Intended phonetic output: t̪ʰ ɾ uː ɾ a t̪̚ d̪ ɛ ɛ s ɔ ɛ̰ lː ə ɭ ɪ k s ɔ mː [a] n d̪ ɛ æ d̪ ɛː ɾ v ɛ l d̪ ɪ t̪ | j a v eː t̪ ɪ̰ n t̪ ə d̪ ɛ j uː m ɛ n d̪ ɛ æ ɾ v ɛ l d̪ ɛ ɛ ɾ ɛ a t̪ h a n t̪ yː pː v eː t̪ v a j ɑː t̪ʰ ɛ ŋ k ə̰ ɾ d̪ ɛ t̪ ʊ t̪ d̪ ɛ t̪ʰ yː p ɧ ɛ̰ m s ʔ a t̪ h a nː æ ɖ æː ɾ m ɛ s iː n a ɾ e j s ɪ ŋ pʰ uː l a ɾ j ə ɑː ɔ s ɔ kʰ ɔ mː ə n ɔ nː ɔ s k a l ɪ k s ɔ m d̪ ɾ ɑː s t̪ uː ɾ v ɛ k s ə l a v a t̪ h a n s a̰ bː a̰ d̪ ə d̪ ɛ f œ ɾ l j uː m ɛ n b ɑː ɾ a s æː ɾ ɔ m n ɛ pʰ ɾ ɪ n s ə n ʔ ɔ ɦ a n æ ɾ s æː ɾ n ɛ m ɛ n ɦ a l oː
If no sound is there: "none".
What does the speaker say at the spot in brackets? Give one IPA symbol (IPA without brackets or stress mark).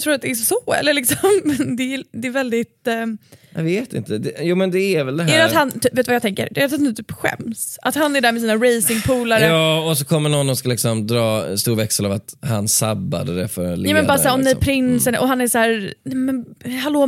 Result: ɛ